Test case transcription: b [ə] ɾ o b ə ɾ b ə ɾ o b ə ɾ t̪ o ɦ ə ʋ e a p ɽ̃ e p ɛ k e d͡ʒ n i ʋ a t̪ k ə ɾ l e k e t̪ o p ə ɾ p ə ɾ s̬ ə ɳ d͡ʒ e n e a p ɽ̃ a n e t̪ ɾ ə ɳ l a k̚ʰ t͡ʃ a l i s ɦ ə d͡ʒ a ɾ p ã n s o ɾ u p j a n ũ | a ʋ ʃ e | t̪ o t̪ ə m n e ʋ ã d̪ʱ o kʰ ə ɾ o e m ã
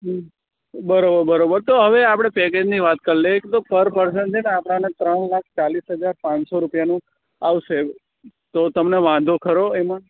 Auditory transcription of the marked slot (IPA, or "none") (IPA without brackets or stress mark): ə